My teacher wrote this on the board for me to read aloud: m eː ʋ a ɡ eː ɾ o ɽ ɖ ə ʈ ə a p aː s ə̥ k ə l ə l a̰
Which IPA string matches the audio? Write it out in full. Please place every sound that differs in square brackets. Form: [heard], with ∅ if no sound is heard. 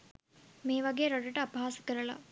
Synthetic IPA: m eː ʋ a ɡ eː ɾ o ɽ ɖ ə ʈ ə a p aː s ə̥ k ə [ɾ] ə l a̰